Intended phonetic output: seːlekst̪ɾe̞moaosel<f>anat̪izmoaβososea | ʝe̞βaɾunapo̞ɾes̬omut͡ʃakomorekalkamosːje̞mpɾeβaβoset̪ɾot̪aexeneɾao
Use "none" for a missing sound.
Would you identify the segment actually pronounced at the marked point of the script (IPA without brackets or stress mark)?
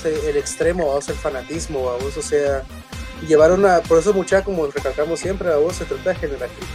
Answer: f